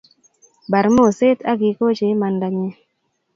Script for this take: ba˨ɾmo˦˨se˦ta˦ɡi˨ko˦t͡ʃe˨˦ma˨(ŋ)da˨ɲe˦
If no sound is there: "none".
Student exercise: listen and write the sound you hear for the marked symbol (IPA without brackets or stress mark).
n